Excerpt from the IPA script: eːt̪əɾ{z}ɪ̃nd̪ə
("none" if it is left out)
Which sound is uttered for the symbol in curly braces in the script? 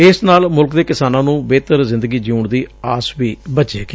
z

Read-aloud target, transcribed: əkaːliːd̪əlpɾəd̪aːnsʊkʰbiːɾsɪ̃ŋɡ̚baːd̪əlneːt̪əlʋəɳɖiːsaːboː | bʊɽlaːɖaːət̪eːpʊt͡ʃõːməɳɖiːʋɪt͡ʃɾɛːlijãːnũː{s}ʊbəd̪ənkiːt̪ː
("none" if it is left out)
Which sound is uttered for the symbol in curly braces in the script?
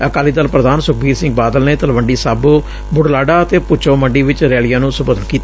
s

